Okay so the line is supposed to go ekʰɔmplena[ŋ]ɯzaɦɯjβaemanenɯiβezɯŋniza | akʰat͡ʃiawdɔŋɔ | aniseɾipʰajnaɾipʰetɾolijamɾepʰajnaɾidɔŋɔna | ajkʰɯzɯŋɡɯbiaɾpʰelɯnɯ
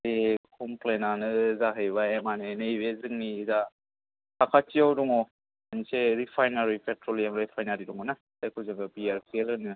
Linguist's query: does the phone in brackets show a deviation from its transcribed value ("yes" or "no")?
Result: yes